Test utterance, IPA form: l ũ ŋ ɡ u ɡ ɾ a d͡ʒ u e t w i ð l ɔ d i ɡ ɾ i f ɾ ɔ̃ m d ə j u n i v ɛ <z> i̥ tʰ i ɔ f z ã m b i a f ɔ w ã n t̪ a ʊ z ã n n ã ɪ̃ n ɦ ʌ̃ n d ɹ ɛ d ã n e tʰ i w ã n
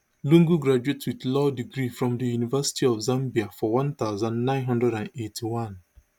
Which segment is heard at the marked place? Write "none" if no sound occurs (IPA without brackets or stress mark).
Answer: s